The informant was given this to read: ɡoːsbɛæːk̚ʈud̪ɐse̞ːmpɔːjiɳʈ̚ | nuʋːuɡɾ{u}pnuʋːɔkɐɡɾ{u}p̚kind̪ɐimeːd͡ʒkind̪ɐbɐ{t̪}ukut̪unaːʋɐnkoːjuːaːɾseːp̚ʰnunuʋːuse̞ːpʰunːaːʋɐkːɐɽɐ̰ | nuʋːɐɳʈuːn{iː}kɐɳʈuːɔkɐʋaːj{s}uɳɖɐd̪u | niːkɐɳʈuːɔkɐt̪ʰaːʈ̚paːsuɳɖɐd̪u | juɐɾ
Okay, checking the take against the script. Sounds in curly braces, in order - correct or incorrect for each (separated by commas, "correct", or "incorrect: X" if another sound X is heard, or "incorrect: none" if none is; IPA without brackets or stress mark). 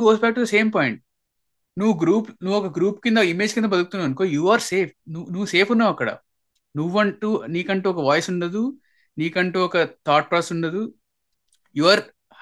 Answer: incorrect: uː, incorrect: uː, incorrect: d̪, correct, correct